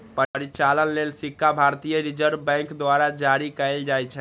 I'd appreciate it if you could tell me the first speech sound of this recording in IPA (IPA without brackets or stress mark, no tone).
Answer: p